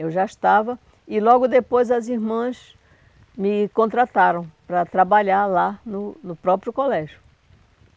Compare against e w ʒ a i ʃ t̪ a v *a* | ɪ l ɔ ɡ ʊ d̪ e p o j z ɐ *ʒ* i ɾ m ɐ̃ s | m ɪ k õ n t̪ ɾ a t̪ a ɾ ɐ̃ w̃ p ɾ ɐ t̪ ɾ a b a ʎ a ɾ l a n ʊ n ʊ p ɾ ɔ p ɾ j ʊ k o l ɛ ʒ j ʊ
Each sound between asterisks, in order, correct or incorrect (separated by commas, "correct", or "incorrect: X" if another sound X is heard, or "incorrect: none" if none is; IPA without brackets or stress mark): incorrect: ɐ, incorrect: z